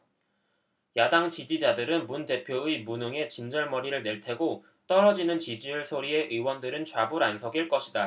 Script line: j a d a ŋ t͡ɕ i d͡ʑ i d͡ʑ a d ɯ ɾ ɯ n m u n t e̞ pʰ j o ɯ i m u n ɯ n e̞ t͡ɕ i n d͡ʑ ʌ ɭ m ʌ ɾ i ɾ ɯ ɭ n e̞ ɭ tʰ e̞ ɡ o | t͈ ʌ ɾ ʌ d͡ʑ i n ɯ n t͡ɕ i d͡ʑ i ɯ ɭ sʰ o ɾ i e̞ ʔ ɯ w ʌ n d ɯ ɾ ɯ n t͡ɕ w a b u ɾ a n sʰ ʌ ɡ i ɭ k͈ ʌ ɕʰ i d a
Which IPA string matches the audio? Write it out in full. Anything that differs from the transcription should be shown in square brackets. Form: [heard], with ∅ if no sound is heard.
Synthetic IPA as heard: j a d a ŋ t͡ɕ i d͡ʑ i d͡ʑ a d ɯ ɾ ɯ n m u n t e̞ pʰ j o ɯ i m u n ɯ [ŋ] e̞ t͡ɕ i n d͡ʑ ʌ ɭ m ʌ ɾ i ɾ ɯ ɭ n e̞ ɭ tʰ e̞ ɡ o | t͈ ʌ ɾ ʌ d͡ʑ i n ɯ n t͡ɕ i d͡ʑ i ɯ ɭ sʰ o ɾ i e̞ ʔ ɯ w ʌ n d ɯ ɾ ɯ n t͡ɕ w a b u ɾ a n sʰ ʌ ɡ i ɭ k͈ ʌ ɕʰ i d a